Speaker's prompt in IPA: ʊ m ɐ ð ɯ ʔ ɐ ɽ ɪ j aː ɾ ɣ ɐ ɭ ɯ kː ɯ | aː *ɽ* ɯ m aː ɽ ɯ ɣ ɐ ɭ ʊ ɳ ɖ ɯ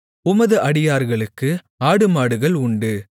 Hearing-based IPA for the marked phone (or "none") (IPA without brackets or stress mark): ɽ